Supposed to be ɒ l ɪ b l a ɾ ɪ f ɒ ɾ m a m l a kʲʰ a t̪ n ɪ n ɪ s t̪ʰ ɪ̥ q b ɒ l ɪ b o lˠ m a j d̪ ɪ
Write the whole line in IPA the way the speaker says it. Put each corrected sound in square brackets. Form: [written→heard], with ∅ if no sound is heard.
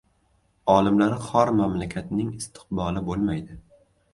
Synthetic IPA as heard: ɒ l ɪ [b→m] l a ɾ ɪ [f→χ] ɒ ɾ m a m l a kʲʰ a t̪ n ɪ [n→ŋ] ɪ s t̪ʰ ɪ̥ q b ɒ l ɪ b o lˠ m a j d̪ ɪ